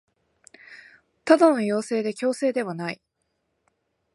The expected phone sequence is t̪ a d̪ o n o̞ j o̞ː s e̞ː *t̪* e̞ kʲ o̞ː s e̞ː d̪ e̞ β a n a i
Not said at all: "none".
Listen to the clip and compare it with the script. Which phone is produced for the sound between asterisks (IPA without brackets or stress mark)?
d̪